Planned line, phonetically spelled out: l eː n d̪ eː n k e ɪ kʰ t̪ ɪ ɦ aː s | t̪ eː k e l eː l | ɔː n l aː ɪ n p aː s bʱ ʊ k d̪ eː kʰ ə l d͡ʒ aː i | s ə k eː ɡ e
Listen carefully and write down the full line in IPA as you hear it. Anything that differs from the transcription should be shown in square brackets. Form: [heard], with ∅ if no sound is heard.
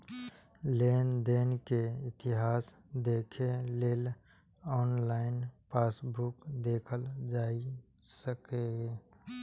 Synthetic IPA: l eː n d̪ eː n k e ɪ [∅] t̪ ɪ ɦ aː s | [d̪] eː [kʰ] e l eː l | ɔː n l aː ɪ n p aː s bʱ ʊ k d̪ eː kʰ ə l d͡ʒ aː i | s ə k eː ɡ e

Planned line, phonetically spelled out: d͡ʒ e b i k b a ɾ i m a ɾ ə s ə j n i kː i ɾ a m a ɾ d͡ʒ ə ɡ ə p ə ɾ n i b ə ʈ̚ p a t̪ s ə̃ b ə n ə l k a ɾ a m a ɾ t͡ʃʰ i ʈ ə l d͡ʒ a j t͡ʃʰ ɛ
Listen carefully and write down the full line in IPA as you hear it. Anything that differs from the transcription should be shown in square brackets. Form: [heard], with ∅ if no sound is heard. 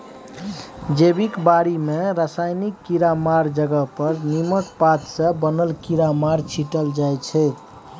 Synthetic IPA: d͡ʒ e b i k b a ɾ i m [e] ɾ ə s [a] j n i kː i ɾ a m a ɾ d͡ʒ ə ɡ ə p ə ɾ n i [m] ə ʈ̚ p a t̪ s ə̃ b ə n ə l k [i] ɾ a m a ɾ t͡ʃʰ i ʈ ə l d͡ʒ a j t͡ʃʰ ɛ

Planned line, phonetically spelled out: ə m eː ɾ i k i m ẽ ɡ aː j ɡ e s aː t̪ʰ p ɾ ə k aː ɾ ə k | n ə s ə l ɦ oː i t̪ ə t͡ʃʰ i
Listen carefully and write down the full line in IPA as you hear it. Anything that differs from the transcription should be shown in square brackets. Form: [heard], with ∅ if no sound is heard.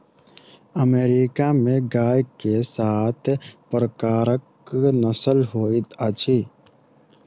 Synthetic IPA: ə m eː ɾ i k [a] m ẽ ɡ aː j [k] e s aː t̪ʰ p ɾ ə k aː ɾ ə k | n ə s ə l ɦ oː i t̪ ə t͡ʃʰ i

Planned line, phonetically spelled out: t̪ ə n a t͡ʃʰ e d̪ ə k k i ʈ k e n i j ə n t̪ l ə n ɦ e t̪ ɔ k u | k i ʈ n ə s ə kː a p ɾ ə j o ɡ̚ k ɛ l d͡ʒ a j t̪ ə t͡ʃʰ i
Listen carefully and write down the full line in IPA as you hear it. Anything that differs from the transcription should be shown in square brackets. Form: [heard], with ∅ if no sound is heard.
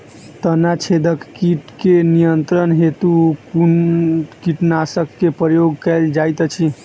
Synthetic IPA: t̪ ə n a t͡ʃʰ e d̪ ə k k i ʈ k e n i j ə n t̪ [ɾ] ə n ɦ e t̪ [u] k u | k i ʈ n [a] s ə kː [e] p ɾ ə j o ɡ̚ k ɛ l d͡ʒ a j t̪ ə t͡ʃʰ i

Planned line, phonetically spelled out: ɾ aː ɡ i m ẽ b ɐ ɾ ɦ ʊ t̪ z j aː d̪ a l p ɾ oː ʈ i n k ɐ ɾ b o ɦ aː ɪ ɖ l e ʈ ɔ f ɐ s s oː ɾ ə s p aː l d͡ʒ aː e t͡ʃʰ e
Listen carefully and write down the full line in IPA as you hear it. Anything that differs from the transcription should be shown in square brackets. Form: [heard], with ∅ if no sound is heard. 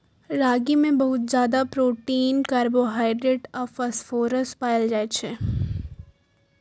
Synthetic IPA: ɾ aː ɡ i m ẽ b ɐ [∅] ɦ ʊ t̪ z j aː d̪ a [∅] p ɾ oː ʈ [iː] n k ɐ ɾ b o ɦ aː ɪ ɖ [ɾ] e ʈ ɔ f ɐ s [f] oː ɾ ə s p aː l d͡ʒ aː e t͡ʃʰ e

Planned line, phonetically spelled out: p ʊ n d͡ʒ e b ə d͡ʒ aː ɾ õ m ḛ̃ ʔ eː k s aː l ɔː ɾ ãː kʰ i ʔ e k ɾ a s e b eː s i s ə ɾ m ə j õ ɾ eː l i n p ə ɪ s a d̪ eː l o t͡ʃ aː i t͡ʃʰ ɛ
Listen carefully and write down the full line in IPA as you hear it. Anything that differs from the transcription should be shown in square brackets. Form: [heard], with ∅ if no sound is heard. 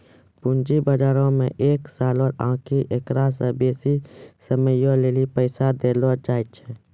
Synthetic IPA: p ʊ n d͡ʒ [i] b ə d͡ʒ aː ɾ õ m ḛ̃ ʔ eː k s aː l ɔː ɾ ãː kʰ i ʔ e k ɾ a s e b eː s i s ə [∅] m ə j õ [l] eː l i [∅] p ə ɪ s a d̪ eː l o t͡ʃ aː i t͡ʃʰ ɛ

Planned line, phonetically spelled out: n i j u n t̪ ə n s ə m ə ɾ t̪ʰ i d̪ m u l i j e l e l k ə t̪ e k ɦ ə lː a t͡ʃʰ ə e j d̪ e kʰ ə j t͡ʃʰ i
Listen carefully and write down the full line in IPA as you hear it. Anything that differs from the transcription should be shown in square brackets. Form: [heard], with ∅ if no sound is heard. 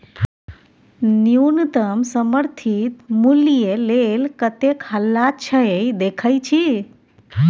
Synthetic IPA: n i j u n t̪ ə [m] s ə m ə ɾ t̪ʰ i [t̪] m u l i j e l e l k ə t̪ e k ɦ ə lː a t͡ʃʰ ə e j d̪ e kʰ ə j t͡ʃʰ i

